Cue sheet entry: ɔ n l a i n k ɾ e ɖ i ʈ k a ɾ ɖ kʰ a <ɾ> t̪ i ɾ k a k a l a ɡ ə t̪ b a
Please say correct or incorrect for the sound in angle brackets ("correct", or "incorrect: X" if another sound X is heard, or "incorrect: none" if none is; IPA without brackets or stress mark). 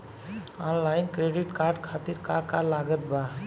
incorrect: none